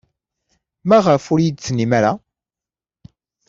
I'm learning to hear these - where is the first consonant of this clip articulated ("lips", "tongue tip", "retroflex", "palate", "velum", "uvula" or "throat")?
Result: lips